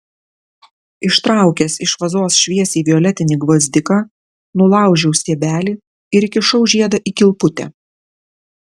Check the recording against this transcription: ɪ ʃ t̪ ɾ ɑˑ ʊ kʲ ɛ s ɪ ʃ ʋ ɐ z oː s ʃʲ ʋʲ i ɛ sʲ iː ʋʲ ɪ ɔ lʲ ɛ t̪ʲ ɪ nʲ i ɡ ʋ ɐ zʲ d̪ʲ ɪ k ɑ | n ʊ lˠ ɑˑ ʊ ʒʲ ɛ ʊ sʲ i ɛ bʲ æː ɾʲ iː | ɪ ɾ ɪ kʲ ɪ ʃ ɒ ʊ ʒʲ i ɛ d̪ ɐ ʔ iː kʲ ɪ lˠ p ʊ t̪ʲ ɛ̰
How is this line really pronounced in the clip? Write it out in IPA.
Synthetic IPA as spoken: ɪ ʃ t̪ ɾ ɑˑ ʊ kʲ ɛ s ɪ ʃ ʋ ɐ z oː s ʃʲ ʋʲ i ɛ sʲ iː ʋʲ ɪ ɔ lʲ ɛ t̪ʲ ɪ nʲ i ɡ ʋ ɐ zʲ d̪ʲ ɪ k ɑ | n ʊ lˠ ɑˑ ʊ ʒʲ ɛ ʊ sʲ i ɛ bʲ æː lʲ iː | ɪ ɾ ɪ kʲ ɪ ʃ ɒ ʊ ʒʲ i ɛ d̪ ɐ ʔ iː kʲ ɪ lˠ p ʊ t̪ʲ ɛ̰